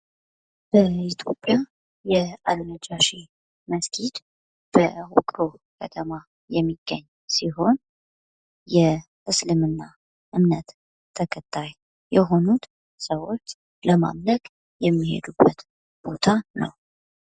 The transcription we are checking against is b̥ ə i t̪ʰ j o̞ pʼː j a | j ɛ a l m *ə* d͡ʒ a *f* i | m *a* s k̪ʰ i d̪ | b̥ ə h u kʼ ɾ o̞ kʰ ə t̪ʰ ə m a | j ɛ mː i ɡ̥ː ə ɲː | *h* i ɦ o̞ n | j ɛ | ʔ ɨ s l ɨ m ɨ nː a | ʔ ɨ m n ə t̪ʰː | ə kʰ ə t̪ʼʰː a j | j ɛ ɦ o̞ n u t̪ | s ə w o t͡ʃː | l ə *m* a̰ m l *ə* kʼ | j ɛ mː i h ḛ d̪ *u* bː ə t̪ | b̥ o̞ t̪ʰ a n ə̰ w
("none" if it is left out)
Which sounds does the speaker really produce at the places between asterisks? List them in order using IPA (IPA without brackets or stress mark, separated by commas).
ə, ʃ, ə, s, m, ə, u